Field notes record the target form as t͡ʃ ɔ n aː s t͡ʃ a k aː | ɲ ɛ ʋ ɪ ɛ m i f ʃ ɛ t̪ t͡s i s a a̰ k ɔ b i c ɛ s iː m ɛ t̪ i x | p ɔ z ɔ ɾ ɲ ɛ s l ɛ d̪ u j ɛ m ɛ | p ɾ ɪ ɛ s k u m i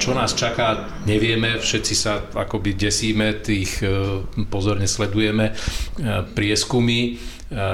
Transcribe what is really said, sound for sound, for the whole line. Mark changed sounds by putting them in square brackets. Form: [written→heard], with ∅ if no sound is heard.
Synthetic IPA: t͡ʃ ɔ n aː s t͡ʃ a k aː | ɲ ɛ ʋ ɪ ɛ m [i→ɛ] f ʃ ɛ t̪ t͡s i s a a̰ k ɔ b i [c→ɟ] ɛ s iː m ɛ t̪ [i→iː] x | p ɔ z ɔ ɾ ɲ ɛ s l ɛ d̪ u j ɛ m ɛ | p ɾ ɪ ɛ s k u m i